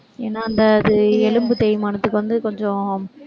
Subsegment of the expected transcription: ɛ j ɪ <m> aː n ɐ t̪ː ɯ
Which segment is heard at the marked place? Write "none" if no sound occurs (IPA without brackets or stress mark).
m